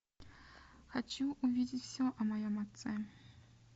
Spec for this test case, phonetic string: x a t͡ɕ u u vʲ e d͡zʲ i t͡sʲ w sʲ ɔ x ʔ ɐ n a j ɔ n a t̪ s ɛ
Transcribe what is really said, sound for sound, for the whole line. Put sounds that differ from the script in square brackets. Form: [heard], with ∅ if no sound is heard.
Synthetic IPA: x a t͡ɕ u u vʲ [i] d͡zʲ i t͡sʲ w sʲ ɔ [∅] ʔ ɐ [m] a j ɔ [m] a t̪ s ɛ